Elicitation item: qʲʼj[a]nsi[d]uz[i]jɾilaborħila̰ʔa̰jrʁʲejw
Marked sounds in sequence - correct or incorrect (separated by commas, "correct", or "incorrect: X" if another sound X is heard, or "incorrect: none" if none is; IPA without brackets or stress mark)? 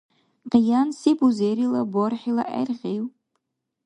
correct, incorrect: b, incorrect: e